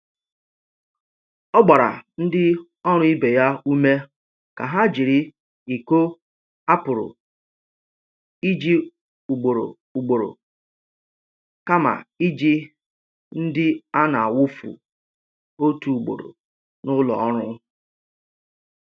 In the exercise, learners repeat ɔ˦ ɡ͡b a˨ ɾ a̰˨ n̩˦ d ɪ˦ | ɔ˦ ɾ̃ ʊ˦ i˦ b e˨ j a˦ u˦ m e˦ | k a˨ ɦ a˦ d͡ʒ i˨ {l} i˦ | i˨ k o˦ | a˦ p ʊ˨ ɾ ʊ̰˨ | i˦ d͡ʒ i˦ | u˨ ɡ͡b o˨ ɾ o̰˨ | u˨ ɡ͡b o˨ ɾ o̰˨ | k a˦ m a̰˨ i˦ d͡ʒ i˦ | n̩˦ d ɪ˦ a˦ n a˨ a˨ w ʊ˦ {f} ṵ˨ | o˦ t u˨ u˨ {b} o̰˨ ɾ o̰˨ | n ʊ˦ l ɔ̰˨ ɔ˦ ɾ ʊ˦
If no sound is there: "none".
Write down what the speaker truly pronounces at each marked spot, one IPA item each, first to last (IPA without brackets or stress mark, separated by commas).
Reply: ɾ, f, ɡ͡b